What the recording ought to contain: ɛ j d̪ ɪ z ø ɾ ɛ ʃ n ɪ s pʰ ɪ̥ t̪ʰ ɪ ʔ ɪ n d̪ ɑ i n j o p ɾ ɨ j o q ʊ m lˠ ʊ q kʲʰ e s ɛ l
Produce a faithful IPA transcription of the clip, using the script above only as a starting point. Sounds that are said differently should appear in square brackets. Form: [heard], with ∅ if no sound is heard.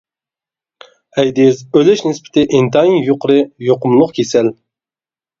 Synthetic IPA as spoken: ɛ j d̪ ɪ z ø [l] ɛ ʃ n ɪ s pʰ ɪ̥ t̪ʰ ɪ ʔ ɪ n [t̪] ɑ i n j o [q] ɾ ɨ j o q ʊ m lˠ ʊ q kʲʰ e s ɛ l